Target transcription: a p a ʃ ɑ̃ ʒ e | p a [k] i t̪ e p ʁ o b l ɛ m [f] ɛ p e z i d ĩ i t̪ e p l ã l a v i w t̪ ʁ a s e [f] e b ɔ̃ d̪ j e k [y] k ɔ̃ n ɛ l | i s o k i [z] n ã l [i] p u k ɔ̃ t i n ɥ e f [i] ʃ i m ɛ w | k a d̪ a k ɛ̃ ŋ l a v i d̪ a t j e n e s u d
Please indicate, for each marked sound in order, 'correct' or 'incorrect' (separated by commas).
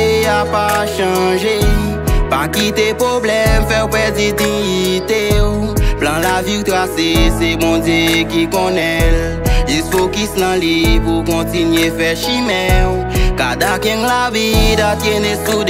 correct, correct, incorrect, incorrect, incorrect, correct, incorrect